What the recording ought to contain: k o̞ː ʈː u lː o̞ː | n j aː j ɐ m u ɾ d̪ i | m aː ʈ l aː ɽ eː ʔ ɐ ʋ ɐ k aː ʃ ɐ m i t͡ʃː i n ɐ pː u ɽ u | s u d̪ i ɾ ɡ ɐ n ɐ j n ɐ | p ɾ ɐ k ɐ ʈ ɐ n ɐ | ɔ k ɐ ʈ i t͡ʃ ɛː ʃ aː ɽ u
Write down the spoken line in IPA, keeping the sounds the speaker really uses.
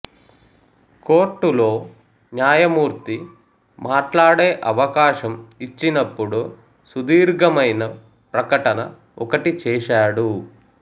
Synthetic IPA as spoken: k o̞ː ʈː u l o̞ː | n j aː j ɐ m uː ɾ t̪ i | m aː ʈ l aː ɽ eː ʔ ɐ ʋ ɐ k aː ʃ ɐ m i t͡ʃː i n ɐ pː u ɽ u | s u d̪ iː ɾ ɡ ɐ m ɐ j n ɐ | p ɾ ɐ k ɐ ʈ ɐ n ɐ | ɔ k ɐ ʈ i t͡ʃ ɛː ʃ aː ɽ u